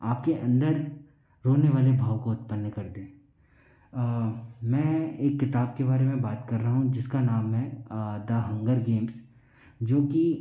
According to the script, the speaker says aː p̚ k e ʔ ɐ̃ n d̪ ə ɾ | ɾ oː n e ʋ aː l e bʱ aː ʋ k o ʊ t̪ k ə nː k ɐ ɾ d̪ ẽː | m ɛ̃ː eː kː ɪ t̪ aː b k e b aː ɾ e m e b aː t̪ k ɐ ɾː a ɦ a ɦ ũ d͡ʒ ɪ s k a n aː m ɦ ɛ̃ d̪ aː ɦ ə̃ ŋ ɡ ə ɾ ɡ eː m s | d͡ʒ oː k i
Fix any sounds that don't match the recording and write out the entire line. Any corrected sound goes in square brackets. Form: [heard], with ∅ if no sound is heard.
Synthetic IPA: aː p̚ k e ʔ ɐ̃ n d̪ ə ɾ | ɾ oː n e ʋ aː l e bʱ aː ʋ k o ʊ t̪ [p] ə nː k ɐ ɾ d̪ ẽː | m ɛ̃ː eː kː ɪ t̪ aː b k e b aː ɾ e m [ẽ] b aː t̪ k ɐ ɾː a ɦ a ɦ ũ d͡ʒ ɪ s k a n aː m ɦ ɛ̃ d̪ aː ɦ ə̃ ŋ ɡ ə ɾ ɡ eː m s | d͡ʒ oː k i

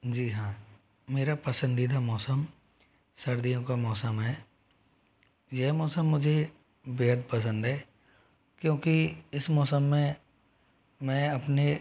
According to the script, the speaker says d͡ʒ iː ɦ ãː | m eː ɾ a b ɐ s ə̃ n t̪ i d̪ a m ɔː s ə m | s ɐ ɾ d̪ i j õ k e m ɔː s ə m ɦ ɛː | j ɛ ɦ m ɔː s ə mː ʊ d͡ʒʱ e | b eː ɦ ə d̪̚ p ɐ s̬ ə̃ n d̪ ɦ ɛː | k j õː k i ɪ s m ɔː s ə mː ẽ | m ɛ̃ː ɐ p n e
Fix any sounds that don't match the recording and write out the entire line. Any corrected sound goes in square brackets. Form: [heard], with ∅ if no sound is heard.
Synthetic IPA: d͡ʒ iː ɦ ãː | m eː ɾ a [p] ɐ s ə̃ n [d̪] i d̪ a m ɔː s ə m | s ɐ ɾ d̪ i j õ k [a] m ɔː s ə m ɦ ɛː | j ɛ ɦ m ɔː s ə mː ʊ d͡ʒʱ e | b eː ɦ ə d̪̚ p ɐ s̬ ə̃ n d̪ ɦ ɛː | k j õː k i ɪ s m ɔː s ə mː ẽ | m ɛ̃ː ɐ p n e

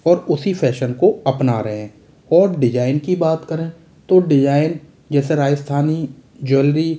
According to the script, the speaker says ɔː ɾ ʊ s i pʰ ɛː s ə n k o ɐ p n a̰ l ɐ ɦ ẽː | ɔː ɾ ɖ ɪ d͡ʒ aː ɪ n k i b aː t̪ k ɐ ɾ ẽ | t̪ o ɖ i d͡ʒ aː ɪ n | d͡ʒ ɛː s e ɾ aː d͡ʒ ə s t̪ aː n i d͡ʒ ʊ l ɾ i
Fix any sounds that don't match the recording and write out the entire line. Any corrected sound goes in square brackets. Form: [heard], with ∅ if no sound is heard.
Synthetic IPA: ɔː ɾ ʊ s i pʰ ɛː [ʃ] ə n k o ɐ p n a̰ [ɾ] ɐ ɦ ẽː | ɔː ɾ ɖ ɪ d͡ʒ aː ɪ n k i b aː t̪ k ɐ ɾ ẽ | t̪ o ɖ [ɪ] d͡ʒ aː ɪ n | d͡ʒ ɛː s e ɾ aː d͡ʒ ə s [t̪ʰ] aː n i d͡ʒ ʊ l ɾ i

